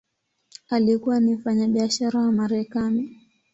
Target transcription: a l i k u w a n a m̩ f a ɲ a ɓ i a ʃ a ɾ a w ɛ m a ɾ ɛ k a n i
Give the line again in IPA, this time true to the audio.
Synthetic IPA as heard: a l i k u w a n i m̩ f a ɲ a ɓ i a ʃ a ɾ a w a m a ɾ ɛ k a n i